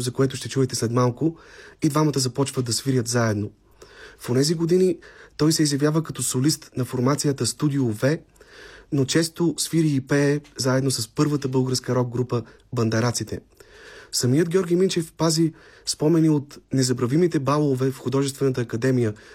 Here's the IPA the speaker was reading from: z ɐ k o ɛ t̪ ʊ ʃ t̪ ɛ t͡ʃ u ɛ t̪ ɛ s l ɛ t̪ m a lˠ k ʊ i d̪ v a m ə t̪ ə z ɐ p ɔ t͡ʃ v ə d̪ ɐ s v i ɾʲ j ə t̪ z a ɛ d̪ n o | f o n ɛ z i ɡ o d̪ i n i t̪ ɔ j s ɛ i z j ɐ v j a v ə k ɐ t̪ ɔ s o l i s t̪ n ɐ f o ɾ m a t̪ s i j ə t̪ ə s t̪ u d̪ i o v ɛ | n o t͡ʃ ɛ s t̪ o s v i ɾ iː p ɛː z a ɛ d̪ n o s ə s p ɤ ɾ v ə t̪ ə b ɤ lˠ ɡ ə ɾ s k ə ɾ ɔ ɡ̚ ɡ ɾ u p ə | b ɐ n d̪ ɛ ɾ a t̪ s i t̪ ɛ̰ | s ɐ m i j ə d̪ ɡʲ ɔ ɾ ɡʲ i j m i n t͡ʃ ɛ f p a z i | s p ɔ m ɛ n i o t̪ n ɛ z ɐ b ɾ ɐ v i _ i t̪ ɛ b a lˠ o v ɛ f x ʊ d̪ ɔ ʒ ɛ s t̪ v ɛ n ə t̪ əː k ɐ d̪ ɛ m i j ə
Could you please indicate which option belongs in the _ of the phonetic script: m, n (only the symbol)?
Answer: m